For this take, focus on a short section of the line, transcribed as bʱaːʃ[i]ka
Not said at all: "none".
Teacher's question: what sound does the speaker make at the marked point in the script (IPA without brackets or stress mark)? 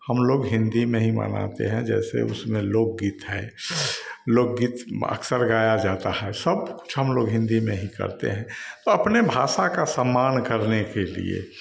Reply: a